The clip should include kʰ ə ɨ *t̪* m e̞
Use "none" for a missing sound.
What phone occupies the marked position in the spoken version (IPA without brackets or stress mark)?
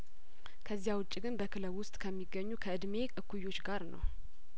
d̪